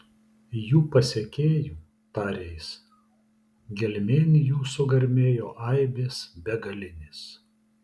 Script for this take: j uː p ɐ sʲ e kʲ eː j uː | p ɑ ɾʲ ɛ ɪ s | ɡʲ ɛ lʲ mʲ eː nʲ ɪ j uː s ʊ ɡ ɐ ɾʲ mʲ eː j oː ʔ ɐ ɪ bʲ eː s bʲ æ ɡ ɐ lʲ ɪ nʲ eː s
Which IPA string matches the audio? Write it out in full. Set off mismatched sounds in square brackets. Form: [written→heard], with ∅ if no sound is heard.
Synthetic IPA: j uː p ɐ sʲ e kʲ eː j uː | p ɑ ɾʲ ɛ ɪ s | ɡʲ ɛ lʲ mʲ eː nʲ ɪ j uː s ʊ ɡ ɐ ɾʲ mʲ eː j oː ʔ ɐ ɪ bʲ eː s bʲ [æ→ɛ] ɡ ɐ lʲ ɪ nʲ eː s

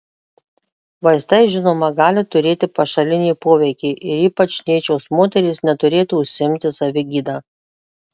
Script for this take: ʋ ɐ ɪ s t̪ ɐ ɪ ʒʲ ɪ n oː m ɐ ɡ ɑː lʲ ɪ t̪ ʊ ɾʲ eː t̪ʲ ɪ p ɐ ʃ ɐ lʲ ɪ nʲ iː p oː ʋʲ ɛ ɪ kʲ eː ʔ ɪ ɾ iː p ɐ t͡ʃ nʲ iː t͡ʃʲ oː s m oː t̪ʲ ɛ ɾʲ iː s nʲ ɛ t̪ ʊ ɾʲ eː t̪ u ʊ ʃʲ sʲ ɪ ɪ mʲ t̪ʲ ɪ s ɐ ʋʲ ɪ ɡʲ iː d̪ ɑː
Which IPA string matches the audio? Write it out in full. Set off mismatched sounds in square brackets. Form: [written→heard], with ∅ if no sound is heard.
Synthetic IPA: ʋ ɐ ɪ s t̪ ɐ ɪ ʒʲ ɪ n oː m ɐ ɡ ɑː lʲ ɪ t̪ ʊ ɾʲ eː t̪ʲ ɪ p ɐ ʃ ɐ lʲ ɪ nʲ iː p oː ʋʲ ɛ ɪ kʲ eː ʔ ɪ ɾ iː p ɐ t͡ʃ nʲ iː t͡ʃʲ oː s m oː t̪ʲ ɛ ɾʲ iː s nʲ ɛ t̪ ʊ ɾʲ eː t̪ u ʊ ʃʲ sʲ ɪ ɪ mʲ t̪ʲ ɪ s ɐ ʋʲ ɪ ɡʲ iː d̪ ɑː

